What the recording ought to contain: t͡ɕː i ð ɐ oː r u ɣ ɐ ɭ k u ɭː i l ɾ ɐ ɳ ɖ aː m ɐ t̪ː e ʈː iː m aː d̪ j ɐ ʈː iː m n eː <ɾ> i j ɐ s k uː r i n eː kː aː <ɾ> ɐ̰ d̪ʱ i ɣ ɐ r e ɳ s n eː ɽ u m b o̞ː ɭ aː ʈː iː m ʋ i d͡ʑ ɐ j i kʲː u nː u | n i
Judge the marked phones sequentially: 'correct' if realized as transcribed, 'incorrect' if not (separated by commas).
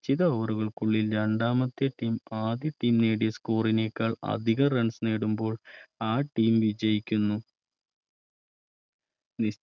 incorrect, incorrect